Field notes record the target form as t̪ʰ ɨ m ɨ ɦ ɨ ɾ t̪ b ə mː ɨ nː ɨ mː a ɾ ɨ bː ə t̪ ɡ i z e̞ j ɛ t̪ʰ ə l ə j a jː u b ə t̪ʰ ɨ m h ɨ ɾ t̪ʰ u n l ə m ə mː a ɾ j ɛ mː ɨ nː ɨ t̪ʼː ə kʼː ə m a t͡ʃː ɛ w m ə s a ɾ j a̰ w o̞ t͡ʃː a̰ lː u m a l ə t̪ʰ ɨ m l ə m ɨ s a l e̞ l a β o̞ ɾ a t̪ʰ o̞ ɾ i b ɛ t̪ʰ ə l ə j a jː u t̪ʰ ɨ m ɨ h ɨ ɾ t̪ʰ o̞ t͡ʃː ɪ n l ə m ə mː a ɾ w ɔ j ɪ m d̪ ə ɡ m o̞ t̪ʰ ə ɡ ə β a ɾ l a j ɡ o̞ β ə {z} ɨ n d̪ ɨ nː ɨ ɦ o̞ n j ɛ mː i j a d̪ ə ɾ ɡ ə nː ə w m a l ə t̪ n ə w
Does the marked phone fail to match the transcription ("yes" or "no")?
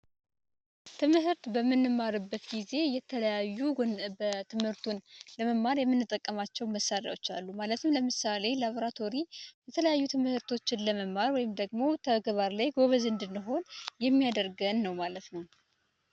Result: no